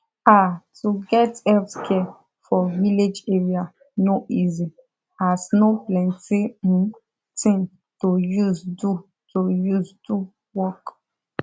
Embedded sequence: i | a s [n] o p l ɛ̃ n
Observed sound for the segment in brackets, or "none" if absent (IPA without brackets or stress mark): n